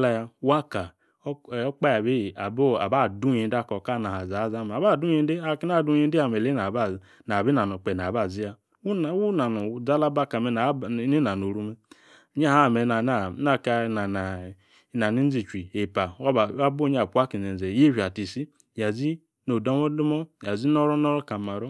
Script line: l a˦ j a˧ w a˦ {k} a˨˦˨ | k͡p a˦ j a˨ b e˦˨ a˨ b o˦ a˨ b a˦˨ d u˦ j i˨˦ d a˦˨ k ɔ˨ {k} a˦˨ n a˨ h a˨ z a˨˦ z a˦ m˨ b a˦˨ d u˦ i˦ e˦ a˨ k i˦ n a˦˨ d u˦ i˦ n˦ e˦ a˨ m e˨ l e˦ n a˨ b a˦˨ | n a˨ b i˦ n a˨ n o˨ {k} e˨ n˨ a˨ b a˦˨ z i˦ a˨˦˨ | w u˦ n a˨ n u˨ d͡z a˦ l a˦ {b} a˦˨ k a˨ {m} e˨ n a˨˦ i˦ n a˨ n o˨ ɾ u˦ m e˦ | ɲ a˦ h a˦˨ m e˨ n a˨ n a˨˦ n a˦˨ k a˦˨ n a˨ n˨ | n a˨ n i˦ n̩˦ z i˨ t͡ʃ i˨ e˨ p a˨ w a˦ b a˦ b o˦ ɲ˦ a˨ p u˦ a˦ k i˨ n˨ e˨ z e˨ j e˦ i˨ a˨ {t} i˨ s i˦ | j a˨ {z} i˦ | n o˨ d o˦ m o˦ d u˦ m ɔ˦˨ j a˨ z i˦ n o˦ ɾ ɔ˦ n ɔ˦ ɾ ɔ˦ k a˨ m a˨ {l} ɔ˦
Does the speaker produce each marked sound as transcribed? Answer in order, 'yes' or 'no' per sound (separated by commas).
yes, yes, no, yes, yes, yes, yes, no